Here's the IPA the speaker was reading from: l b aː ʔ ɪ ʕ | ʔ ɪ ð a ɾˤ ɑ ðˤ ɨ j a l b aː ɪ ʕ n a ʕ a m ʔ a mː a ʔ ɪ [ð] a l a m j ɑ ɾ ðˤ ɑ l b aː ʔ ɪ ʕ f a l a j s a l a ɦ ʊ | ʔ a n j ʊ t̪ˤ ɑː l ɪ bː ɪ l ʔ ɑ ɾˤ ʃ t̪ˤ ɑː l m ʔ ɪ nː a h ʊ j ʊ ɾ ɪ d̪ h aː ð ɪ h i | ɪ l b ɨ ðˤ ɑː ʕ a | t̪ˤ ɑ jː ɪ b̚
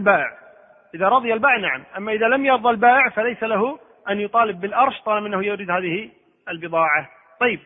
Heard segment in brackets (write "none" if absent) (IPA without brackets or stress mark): ð